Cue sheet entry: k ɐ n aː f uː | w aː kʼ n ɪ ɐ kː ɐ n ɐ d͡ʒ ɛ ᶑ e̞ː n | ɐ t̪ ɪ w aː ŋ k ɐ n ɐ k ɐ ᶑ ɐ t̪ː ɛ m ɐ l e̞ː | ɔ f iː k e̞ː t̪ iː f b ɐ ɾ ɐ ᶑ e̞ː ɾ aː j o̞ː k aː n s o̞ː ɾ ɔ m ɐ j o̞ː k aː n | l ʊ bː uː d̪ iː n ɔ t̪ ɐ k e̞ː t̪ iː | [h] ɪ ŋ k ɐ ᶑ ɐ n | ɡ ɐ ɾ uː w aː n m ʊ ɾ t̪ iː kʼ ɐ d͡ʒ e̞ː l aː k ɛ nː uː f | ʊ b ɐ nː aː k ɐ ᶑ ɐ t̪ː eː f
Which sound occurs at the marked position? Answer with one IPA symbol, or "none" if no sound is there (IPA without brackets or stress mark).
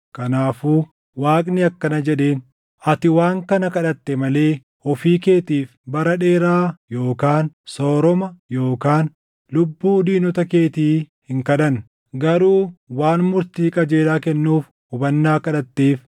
h